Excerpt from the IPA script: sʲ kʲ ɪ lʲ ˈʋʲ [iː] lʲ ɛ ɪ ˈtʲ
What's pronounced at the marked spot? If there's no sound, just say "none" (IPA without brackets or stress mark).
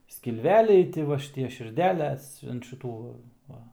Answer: æː